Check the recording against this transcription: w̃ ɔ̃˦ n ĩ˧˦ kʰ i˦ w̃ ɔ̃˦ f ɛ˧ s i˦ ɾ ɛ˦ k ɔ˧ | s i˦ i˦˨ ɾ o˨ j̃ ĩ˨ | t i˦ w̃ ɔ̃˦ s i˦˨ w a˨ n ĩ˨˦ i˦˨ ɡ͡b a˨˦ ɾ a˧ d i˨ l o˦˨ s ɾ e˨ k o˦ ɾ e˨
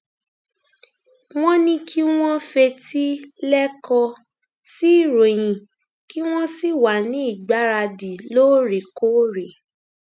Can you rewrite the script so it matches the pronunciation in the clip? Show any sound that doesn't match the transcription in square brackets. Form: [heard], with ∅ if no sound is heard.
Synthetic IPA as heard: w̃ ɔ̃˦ n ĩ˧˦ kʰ i˦ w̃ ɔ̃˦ f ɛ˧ [t] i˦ [l] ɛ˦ k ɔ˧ | s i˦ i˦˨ ɾ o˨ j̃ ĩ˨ | [k] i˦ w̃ ɔ̃˦ s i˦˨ w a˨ n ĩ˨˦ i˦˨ ɡ͡b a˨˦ ɾ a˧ d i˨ l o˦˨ [∅] ɾ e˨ k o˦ ɾ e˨